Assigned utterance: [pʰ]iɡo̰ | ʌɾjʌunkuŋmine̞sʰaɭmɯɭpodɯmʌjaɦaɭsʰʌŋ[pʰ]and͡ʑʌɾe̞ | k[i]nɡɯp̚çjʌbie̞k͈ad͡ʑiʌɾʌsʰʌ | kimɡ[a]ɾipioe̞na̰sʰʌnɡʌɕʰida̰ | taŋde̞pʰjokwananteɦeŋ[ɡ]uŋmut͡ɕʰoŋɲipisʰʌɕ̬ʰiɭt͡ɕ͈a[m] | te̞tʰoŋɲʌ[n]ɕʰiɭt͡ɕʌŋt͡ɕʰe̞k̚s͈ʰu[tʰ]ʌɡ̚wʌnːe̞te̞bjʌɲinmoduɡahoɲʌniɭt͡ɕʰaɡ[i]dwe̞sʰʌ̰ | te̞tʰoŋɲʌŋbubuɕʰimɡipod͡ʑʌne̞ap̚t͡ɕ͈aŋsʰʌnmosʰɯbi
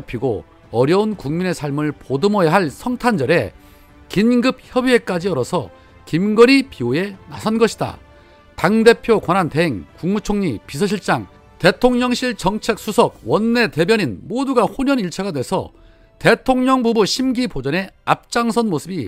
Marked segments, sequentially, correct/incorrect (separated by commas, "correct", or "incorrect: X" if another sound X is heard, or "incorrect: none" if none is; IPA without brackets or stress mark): correct, incorrect: tʰ, correct, incorrect: ʌ, incorrect: k, incorrect: ŋ, incorrect: ŋ, incorrect: sʰ, incorrect: a